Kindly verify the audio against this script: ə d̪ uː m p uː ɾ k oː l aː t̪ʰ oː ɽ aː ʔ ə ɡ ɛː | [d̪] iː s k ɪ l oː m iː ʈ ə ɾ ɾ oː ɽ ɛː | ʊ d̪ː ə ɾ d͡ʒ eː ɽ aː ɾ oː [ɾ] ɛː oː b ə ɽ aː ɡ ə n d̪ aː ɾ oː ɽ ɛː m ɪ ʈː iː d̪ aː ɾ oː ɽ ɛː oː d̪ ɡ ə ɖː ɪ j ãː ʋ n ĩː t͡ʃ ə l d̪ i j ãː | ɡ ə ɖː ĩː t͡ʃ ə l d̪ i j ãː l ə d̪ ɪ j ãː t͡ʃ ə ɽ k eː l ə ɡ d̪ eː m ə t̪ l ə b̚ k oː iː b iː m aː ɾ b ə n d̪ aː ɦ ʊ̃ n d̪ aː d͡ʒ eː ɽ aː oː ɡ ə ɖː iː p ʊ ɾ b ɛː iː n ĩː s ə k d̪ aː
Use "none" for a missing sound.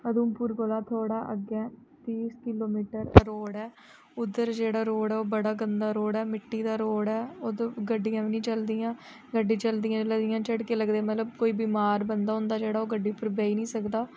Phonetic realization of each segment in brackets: t̪, ɽ

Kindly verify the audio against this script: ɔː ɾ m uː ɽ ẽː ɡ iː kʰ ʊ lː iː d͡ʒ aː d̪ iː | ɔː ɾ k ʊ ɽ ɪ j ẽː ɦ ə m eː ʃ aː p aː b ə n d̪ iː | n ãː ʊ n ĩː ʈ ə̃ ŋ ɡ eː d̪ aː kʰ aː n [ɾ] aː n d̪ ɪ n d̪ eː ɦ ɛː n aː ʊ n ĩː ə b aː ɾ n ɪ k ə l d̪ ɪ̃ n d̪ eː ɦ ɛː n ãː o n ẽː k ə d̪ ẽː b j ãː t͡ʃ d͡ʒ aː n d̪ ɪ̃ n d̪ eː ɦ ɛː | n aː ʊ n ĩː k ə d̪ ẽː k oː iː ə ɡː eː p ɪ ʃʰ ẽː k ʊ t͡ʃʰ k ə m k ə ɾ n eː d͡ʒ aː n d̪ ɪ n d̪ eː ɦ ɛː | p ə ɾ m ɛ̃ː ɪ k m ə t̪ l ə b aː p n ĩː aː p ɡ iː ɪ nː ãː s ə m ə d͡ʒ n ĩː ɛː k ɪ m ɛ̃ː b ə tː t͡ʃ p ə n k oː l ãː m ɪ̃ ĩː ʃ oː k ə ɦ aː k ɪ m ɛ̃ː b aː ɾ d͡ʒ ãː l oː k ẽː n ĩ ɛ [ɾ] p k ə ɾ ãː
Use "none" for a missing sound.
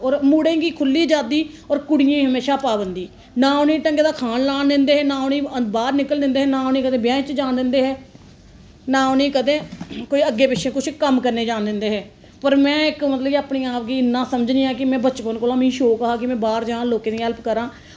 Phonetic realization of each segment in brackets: l, l

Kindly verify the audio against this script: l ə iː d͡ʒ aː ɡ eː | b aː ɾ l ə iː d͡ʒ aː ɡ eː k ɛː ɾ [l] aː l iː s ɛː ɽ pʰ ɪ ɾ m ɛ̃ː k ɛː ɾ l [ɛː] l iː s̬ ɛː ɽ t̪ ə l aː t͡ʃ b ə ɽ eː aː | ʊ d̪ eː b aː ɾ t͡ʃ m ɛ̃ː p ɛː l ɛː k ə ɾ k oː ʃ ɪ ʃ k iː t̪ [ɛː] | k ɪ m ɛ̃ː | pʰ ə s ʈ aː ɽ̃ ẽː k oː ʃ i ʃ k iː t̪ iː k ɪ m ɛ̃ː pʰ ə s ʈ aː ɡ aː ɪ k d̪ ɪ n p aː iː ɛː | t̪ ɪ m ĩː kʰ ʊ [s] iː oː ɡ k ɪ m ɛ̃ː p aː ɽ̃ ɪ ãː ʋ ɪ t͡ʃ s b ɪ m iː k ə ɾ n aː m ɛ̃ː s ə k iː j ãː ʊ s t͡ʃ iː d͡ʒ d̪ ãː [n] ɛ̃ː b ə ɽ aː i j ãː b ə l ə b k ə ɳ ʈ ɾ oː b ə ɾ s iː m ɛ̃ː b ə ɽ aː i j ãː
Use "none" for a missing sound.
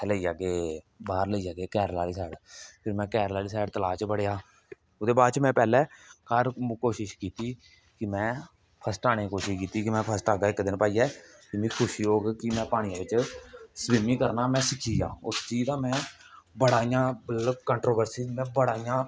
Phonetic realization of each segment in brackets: l, aː, iː, ʃ, m

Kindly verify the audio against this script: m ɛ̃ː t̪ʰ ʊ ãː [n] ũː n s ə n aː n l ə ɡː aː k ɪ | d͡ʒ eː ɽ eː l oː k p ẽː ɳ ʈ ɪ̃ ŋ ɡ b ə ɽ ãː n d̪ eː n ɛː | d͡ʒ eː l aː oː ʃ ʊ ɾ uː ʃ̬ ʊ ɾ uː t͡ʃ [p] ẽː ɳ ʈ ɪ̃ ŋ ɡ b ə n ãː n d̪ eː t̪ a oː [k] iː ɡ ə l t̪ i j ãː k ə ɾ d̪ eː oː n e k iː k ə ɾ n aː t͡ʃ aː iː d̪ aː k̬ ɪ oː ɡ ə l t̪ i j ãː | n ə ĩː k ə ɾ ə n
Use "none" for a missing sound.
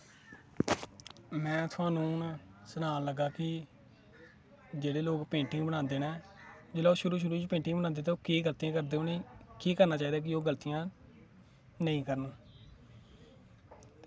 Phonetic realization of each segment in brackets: n, p, k

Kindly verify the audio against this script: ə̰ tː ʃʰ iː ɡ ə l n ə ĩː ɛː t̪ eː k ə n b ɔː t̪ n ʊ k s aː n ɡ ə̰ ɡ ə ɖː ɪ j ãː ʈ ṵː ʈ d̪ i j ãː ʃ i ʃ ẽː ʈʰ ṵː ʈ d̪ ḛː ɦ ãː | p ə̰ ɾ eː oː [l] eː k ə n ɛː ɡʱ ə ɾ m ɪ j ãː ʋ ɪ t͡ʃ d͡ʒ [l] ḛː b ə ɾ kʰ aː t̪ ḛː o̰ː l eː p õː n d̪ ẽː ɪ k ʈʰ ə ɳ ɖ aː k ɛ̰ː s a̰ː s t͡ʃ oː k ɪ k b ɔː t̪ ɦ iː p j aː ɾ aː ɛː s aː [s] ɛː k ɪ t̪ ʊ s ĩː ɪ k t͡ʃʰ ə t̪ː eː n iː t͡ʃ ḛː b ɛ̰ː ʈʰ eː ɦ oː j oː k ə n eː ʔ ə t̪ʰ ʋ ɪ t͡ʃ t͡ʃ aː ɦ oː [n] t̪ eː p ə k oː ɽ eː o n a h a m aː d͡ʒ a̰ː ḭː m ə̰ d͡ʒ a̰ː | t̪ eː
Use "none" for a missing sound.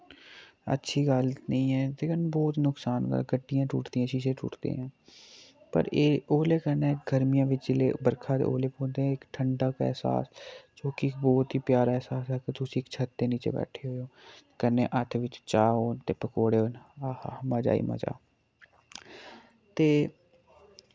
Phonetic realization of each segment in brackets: l, l, s, n

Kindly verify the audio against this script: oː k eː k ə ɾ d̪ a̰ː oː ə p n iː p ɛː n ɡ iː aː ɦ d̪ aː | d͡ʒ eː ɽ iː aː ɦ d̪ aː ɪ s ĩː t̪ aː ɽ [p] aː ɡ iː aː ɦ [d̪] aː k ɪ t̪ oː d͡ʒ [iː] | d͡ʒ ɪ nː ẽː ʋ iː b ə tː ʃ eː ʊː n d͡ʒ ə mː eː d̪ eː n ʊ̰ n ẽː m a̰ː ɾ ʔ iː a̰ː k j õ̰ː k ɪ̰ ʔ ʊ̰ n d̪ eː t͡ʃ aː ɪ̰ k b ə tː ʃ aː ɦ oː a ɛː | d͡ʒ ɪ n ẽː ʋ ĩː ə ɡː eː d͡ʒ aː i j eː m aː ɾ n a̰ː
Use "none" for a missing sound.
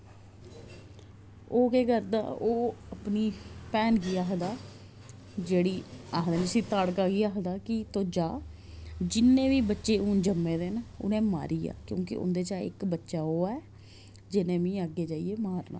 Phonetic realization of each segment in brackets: k, d̪, aː

